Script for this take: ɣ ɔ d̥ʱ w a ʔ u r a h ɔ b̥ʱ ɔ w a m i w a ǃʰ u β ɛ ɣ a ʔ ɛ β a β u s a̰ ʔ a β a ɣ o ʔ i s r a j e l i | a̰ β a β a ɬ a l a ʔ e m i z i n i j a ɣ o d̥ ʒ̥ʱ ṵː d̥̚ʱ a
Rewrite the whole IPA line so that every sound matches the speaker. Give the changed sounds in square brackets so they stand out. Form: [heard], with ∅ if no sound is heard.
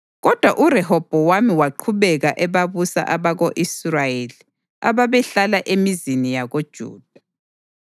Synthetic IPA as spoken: ɣ ɔ d̥ʱ w a ʔ u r [ɛ] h ɔ b̥ʱ ɔ w a m i w a ǃʰ u β ɛ ɣ a ʔ ɛ β a β u s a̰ ʔ a β a ɣ o ʔ i s r a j e l i | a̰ β a β [ɛ] ɬ a l a ʔ e m i z i n i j a ɣ o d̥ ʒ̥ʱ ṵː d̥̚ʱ a